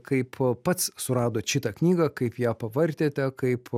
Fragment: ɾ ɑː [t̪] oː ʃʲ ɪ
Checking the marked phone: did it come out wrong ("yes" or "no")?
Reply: yes